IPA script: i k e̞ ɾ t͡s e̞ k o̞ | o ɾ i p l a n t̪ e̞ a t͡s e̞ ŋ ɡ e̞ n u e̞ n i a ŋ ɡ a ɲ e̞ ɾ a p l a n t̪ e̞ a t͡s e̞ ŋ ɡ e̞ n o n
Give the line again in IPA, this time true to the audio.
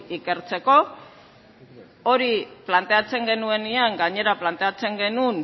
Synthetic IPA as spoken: i k e̞ ɾ t͡s e̞ k o̞ | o ɾ i p l a n t̪ e̞ a t͡s e̞ ŋ ɡ e̞ n u e̞ n i a ŋ ɡ a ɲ e̞ ɾ a p l a n t̪ e̞ a t͡s e̞ ŋ ɡ e̞ n u n